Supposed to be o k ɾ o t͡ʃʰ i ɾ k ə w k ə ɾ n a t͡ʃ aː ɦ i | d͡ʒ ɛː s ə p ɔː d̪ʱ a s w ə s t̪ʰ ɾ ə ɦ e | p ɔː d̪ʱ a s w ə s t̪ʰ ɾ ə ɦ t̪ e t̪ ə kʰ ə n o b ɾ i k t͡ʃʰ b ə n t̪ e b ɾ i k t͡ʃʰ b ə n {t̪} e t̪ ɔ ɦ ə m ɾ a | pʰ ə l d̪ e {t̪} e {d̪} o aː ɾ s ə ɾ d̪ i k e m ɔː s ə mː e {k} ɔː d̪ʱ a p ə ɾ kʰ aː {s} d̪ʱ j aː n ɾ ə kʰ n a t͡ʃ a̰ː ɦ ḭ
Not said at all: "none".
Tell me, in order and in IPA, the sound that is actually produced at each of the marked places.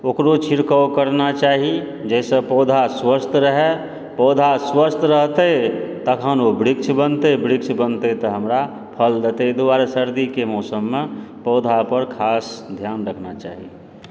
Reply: t̪, t̪, d̪, p, s

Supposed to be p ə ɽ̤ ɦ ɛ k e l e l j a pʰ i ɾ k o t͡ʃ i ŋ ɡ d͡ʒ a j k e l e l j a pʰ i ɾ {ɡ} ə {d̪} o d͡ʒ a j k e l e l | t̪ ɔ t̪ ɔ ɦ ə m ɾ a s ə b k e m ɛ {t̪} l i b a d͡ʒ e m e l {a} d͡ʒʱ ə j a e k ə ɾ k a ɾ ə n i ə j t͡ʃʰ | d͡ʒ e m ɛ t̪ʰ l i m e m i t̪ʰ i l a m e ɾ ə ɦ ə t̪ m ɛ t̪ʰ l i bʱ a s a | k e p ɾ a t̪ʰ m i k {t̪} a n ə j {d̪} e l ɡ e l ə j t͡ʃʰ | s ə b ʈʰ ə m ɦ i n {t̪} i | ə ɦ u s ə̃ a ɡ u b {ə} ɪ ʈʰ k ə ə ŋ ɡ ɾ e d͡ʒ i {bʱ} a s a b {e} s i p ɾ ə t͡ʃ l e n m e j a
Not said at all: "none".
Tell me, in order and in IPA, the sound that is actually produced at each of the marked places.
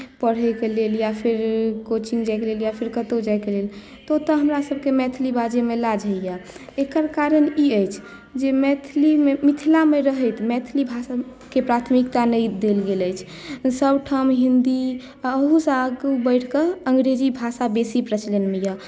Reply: k, t̪, t̪ʰ, a, t̪, d̪, d̪, ə, bʱ, e

